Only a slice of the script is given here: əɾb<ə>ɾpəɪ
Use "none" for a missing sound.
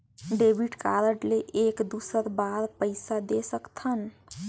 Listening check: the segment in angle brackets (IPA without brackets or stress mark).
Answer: a